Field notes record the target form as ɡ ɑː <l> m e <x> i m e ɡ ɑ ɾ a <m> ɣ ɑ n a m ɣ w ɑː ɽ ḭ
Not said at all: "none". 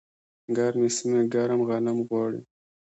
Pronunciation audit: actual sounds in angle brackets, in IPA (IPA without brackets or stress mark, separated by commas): ɾ, s, m